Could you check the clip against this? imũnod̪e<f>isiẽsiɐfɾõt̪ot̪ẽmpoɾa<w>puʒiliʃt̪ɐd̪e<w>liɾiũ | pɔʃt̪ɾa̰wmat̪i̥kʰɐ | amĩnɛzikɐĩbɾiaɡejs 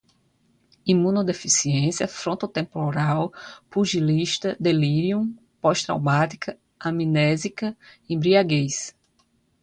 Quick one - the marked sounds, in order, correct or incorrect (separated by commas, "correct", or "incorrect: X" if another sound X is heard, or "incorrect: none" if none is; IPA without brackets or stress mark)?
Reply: correct, correct, incorrect: none